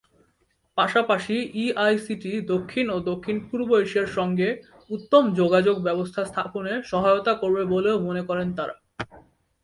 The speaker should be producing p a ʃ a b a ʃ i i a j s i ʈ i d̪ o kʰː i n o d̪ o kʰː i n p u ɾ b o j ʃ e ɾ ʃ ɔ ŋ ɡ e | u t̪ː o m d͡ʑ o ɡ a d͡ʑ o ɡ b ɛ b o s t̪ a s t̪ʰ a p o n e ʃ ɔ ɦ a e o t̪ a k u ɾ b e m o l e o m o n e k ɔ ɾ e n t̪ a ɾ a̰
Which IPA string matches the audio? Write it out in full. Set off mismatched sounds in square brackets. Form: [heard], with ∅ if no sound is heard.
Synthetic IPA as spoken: p a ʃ a [p] a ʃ i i a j s i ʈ i d̪ o kʰː i n o d̪ o kʰː i n p u ɾ b o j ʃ e ɾ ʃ ɔ ŋ ɡ e | u t̪ː o m d͡ʑ o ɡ a d͡ʑ o ɡ b ɛ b o s [t̪ʰ] a s t̪ʰ a p o n e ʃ ɔ ɦ a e o t̪ a k [o] ɾ b e [b] o l e o m o n e k ɔ ɾ e n t̪ a ɾ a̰